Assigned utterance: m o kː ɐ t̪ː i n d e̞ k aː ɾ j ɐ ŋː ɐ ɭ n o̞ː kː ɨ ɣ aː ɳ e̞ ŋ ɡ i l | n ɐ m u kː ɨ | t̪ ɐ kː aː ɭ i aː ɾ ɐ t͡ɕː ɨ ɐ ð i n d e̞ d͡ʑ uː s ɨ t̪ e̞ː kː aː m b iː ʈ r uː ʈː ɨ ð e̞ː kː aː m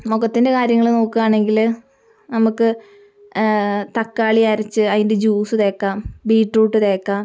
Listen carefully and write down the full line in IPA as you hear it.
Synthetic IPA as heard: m o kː ɐ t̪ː i n d e̞ k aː ɾ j ɐ ŋː ɐ ɭ n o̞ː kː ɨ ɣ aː ɳ e̞ ŋ ɡ i l | n ɐ m u kː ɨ | t̪ ɐ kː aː ɭ i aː ɾ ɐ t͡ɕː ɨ ɐ ð i n d e̞ d͡ʑ uː s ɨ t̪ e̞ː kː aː m b iː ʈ r uː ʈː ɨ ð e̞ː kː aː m